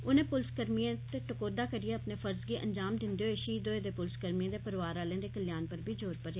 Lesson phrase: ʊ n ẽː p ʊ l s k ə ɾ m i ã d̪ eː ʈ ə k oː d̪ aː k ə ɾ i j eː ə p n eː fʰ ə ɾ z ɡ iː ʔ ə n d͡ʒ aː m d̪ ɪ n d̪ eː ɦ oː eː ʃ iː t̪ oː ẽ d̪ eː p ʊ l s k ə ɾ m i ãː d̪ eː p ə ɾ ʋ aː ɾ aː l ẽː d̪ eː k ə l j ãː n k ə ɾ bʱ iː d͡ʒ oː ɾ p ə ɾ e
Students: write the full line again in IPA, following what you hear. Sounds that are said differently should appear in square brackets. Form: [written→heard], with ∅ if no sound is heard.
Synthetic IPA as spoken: ʊ n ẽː p ʊ l s k ə ɾ m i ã [d̪→t̪] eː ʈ ə k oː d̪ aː k ə ɾ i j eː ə p n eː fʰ ə ɾ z ɡ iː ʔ ə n d͡ʒ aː m d̪ ɪ n d̪ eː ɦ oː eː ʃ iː [t̪→d̪] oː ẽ d̪ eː p ʊ l s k ə ɾ m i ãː d̪ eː p ə ɾ ʋ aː ɾ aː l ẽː d̪ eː k ə l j [ãː→aː] n [k→p] ə ɾ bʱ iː d͡ʒ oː ɾ p ə ɾ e